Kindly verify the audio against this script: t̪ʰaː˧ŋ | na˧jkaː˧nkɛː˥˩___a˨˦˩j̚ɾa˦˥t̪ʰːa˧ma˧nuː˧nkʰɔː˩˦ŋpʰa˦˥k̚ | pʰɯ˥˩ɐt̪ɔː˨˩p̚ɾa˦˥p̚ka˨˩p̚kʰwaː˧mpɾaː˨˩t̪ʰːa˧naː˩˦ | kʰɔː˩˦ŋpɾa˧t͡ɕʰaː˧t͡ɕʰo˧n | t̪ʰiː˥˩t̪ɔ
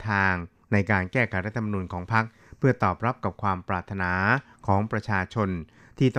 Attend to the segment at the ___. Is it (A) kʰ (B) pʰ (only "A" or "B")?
A